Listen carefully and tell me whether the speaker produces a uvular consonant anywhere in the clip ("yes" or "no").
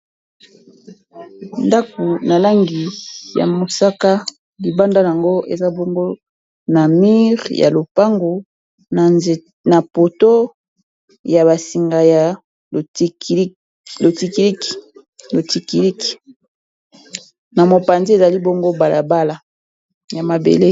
yes